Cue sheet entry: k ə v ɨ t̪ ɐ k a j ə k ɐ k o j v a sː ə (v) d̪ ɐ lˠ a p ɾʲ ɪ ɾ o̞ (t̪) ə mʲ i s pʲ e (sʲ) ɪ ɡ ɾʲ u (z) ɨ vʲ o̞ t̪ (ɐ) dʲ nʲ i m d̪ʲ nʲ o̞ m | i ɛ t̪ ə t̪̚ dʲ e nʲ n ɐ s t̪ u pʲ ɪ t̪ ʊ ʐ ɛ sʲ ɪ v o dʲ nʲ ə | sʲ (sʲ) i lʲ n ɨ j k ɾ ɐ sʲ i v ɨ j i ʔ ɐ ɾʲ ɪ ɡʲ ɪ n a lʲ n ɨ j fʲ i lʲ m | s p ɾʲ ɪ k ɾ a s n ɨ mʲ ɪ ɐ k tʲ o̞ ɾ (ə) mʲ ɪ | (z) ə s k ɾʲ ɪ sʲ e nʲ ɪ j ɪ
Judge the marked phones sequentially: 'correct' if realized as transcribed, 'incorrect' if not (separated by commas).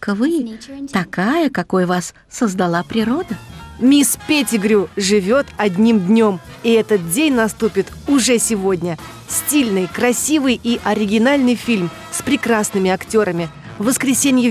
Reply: incorrect, incorrect, incorrect, incorrect, correct, incorrect, correct, incorrect